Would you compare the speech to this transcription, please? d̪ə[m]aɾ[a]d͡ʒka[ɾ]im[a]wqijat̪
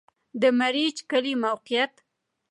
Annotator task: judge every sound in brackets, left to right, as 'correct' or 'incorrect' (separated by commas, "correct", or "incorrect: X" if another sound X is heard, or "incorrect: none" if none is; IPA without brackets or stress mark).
correct, incorrect: i, incorrect: l, correct